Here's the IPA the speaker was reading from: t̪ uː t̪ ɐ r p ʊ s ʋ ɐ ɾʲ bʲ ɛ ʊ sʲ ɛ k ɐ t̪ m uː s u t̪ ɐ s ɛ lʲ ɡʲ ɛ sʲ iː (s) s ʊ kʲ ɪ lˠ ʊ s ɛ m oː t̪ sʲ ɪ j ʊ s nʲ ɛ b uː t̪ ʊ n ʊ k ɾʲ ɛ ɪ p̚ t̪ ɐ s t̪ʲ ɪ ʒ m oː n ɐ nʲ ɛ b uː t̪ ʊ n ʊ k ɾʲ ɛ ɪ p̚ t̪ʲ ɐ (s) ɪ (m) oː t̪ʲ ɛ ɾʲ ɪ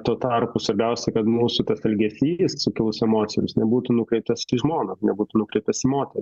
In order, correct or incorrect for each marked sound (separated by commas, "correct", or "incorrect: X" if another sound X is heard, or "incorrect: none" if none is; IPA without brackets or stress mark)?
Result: correct, correct, correct